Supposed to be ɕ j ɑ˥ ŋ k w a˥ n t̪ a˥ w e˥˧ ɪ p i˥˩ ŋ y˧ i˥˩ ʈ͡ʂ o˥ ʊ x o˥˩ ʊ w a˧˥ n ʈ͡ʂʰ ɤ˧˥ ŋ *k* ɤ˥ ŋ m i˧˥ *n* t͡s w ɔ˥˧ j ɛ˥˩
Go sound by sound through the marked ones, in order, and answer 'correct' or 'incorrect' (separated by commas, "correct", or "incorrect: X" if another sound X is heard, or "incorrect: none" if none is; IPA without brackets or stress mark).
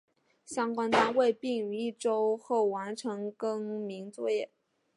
correct, incorrect: ŋ